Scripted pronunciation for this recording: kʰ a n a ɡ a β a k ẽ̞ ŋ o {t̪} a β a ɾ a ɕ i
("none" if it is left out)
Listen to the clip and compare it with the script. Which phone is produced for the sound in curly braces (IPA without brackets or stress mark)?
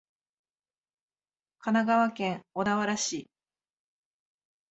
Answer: d̪